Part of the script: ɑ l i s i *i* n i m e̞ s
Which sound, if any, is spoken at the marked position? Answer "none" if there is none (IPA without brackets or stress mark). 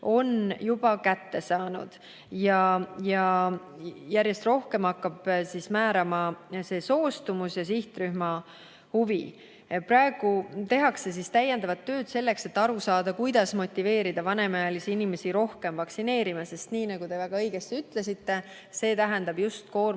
i